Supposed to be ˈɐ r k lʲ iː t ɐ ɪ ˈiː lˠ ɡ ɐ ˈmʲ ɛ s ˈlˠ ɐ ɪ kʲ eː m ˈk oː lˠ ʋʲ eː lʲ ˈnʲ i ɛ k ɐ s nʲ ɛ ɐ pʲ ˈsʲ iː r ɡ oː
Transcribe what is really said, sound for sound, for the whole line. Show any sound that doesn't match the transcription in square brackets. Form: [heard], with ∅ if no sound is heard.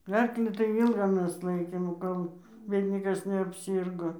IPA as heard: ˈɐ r k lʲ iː t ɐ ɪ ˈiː lˠ ɡ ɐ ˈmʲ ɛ s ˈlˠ ɐ ɪ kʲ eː m ˈk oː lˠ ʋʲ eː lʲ ˈnʲ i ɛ k ɐ s nʲ ɛ ɐ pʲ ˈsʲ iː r ɡ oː

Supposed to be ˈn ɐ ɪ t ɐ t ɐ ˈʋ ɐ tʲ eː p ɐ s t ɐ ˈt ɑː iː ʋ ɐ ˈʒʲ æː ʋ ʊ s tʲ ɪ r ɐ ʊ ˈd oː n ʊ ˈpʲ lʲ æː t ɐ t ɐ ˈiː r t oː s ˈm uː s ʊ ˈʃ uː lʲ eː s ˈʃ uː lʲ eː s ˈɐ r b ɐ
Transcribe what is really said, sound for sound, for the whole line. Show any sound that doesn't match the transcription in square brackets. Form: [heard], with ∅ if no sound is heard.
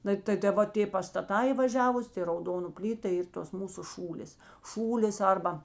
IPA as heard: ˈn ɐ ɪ t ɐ t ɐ ˈʋ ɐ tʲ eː p ɐ s t ɐ ˈt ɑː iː ʋ ɐ ˈʒʲ æː ʋ ʊ s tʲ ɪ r ɐ ʊ ˈd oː n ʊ ˈpʲ lʲ [iː] t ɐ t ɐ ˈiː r t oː s ˈm uː s ʊ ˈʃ uː lʲ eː s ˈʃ uː lʲ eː s ˈɐ r b ɐ

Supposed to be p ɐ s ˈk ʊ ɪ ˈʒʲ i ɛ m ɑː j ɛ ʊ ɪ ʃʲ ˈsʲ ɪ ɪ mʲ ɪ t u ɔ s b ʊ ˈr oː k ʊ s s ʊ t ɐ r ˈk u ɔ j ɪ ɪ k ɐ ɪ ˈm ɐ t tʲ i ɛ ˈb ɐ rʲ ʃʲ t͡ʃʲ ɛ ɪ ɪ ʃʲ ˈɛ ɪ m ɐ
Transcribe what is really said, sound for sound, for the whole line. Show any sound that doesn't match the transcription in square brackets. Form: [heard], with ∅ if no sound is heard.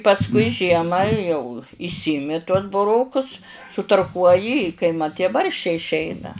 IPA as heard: p ɐ s ˈk ʊ ɪ ˈʒʲ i ɛ m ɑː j ɛ ʊ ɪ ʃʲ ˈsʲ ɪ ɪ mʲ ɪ t u ɔ s b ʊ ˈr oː k ʊ s s ʊ t ɐ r ˈk u ɔ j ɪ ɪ k ɐ ɪ ˈm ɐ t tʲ i ɛ ˈb ɐ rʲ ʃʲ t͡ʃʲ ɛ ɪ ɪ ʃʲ ˈɛ ɪ [n] ɐ

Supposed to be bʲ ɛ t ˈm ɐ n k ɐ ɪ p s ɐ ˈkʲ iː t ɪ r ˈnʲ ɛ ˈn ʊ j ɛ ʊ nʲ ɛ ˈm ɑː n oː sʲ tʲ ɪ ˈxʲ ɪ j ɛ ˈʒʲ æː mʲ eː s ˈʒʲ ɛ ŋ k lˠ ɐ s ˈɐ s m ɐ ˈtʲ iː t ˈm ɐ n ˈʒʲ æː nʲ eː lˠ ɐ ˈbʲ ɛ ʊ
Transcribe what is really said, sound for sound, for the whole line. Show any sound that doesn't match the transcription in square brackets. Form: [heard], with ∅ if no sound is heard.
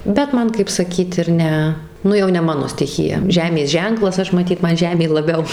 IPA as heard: bʲ ɛ t ˈm ɐ n k ɐ ɪ p s ɐ ˈkʲ iː t ɪ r ˈnʲ ɛ ˈn ʊ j ɛ ʊ nʲ ɛ ˈm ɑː n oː sʲ tʲ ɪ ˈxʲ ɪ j ɛ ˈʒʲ æː mʲ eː s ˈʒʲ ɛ ŋ k lˠ ɐ s ˈɐ [ʃ] m ɐ ˈtʲ iː t ˈm ɐ n ˈʒʲ æː [mʲ] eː lˠ ɐ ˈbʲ ɛ ʊ

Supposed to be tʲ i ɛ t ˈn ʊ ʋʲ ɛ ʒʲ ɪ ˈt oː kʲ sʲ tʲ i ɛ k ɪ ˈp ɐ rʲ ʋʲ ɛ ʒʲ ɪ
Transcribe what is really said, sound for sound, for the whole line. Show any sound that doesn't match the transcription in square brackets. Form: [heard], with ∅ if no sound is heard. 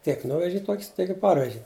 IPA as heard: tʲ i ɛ [k] ˈn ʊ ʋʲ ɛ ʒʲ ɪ ˈt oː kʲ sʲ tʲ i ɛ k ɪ ˈp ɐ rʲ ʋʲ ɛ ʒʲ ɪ

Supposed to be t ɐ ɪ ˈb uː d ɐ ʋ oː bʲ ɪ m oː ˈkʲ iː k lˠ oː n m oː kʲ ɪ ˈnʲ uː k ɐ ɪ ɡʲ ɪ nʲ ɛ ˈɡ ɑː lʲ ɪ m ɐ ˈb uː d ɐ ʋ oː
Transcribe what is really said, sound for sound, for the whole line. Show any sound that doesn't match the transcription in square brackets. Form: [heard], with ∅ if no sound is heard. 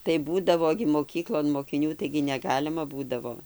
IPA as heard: t ɐ ɪ ˈb uː d ɐ ʋ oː [ɡʲ] ɪ m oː ˈkʲ iː k lˠ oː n m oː kʲ ɪ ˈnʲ uː [t] ɐ ɪ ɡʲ ɪ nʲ ɛ ˈɡ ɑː lʲ ɪ m ɐ ˈb uː d ɐ ʋ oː

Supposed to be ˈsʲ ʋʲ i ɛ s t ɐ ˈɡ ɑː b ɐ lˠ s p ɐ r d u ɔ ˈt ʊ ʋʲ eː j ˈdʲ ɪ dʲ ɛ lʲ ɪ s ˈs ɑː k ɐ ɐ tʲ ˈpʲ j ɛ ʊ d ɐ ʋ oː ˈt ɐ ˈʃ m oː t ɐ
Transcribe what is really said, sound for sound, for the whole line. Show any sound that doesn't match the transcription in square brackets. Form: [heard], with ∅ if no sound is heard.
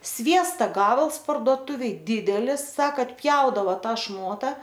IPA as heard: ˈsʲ ʋʲ i ɛ s t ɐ ˈɡ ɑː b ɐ lˠ s p ɐ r d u ɔ ˈt ʊ ʋʲ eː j ˈdʲ ɪ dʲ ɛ lʲ ɪ s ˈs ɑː k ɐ ɐ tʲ ˈpʲ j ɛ ʊ d ɐ ʋ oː ˈt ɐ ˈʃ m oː t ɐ

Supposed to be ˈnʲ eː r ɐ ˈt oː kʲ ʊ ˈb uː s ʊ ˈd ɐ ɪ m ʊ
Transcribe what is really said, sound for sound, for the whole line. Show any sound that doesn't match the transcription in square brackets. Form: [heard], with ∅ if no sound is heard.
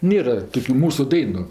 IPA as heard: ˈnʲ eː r ɐ ˈt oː kʲ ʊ [ˈm] uː s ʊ ˈd ɐ ɪ [n] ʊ

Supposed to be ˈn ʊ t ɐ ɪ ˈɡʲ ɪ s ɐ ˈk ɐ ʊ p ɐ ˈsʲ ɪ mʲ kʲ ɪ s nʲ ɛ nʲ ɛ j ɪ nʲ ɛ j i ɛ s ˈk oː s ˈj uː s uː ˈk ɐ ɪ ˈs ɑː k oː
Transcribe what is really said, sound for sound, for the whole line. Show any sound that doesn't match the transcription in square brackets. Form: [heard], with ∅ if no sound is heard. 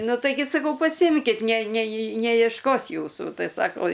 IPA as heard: ˈn ʊ t ɐ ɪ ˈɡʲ ɪ s ɐ ˈk ɐ ʊ p ɐ ˈsʲ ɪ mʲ kʲ ɪ [t] nʲ ɛ nʲ ɛ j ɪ nʲ ɛ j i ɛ [ʃ] ˈk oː s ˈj uː s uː [ˈt] ɐ ɪ ˈs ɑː k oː

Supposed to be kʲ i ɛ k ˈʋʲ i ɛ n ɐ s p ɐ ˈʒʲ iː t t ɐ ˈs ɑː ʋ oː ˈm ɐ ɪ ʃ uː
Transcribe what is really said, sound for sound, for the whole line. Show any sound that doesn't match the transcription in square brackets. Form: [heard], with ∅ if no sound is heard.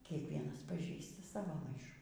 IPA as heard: kʲ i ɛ k ˈʋʲ i ɛ n ɐ s p ɐ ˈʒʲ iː [s] t ɐ ˈs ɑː ʋ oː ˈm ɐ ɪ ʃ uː

